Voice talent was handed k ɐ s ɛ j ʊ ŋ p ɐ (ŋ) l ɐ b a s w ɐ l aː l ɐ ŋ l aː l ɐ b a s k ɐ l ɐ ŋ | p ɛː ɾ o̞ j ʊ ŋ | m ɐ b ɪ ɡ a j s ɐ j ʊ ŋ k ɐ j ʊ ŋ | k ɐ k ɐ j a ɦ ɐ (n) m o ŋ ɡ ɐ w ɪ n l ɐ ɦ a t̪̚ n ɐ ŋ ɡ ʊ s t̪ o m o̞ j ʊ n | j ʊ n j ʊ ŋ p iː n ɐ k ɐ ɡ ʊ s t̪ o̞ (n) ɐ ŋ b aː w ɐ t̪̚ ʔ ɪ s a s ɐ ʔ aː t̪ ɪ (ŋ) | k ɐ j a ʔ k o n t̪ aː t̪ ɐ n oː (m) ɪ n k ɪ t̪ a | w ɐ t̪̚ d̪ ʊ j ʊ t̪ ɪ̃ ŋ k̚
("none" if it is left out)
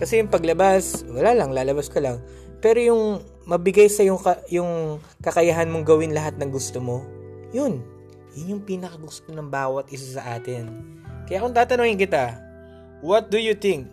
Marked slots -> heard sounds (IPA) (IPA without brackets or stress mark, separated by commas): ɡ, n, n, n, ŋ